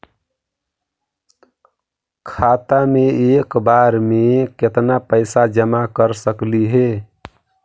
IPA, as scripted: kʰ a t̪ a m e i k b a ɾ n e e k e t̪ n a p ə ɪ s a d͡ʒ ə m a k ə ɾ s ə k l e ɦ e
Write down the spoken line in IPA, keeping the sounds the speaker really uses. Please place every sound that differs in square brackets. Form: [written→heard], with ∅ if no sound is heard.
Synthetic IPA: kʰ a t̪ a m e [i→e] k b a ɾ [n→m] e e k e t̪ n a p ə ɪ s a d͡ʒ ə m a k ə ɾ s ə k l [e→i] ɦ e